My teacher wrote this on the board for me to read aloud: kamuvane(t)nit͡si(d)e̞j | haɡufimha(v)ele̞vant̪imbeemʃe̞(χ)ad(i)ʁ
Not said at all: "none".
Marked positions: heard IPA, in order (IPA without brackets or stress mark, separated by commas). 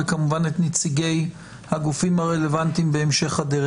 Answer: t, ɡ, ʁ, χ, e